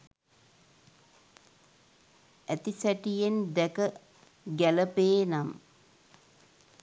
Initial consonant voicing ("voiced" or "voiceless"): voiceless